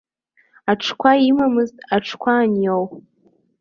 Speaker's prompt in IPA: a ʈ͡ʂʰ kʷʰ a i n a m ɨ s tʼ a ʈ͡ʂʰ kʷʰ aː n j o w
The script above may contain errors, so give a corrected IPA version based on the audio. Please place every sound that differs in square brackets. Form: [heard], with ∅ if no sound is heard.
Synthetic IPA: a ʈ͡ʂʰ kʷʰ a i [m] a m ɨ [z] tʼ a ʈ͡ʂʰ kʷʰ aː n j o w